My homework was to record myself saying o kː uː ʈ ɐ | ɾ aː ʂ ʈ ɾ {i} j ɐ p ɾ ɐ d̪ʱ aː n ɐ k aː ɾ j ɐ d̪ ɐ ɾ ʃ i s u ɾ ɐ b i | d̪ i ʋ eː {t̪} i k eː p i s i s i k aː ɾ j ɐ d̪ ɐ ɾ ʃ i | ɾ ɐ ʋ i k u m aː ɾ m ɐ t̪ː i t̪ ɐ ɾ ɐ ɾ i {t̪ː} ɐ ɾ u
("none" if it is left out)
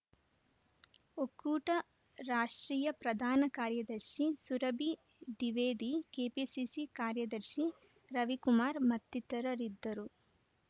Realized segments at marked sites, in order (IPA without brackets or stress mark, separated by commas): iː, d̪, d̪ː